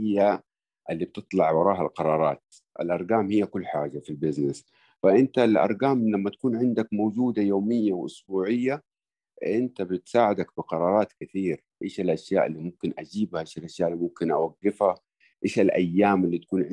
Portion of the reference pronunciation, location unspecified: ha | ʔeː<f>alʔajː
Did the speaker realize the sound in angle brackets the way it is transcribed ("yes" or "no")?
no